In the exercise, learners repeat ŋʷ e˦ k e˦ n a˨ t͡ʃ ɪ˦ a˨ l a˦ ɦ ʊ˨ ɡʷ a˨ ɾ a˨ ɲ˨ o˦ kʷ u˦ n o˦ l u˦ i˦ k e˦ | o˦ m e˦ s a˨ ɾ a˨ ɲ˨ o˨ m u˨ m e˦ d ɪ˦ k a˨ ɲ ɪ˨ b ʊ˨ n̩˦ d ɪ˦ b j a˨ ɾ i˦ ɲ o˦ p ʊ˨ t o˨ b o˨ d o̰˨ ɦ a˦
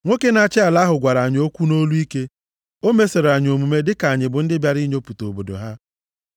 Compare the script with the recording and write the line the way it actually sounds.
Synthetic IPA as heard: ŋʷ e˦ k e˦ n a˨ t͡ʃ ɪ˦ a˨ l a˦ ɦ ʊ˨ ɡʷ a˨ ɾ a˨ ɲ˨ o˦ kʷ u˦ n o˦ l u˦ i˦ k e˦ | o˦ m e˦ s e˨ ɾ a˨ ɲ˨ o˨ m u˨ m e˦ d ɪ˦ k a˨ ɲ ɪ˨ b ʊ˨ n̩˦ d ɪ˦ b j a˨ ɾ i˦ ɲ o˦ p u˨ t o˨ b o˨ d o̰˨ ɦ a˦